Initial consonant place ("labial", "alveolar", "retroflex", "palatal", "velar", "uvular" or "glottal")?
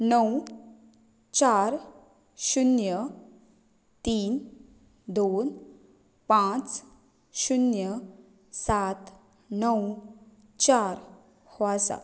alveolar